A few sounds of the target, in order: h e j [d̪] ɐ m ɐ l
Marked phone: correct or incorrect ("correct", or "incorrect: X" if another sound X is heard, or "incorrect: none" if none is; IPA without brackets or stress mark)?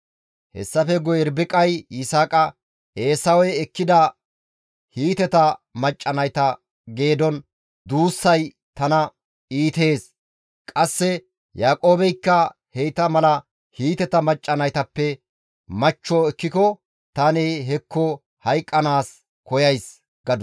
incorrect: t̪